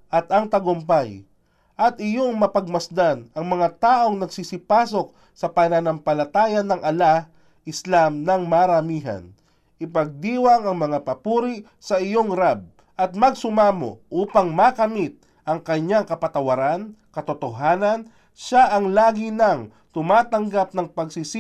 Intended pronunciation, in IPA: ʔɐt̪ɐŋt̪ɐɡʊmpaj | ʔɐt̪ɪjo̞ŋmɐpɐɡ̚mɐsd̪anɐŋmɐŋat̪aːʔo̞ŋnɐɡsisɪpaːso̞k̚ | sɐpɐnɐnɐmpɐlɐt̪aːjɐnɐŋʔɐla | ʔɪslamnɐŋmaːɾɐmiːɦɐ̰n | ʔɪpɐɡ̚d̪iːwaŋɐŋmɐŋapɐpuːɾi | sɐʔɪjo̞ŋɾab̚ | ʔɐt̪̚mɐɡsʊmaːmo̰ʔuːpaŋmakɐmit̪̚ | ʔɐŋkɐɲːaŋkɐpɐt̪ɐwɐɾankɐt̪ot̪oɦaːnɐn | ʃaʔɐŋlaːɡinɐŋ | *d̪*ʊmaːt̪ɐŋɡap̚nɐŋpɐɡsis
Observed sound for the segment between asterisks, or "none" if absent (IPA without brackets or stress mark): t̪